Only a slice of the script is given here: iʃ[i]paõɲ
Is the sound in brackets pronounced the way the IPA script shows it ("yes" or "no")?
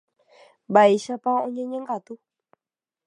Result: no